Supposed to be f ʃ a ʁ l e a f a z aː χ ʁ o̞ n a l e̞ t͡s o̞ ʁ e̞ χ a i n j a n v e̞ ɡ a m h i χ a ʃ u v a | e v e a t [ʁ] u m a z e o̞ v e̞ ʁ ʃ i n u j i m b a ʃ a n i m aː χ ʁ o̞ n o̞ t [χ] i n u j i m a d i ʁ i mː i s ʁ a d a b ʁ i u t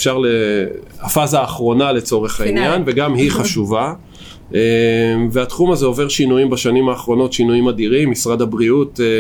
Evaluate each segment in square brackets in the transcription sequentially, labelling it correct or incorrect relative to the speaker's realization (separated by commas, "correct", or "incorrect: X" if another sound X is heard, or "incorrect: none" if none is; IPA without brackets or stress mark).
incorrect: χ, incorrect: ʃ